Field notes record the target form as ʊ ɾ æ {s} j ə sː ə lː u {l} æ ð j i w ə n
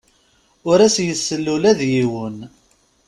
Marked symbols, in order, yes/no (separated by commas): yes, yes